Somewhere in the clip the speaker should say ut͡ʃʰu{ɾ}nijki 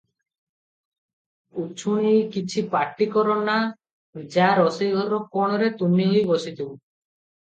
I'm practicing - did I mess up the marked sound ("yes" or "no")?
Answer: yes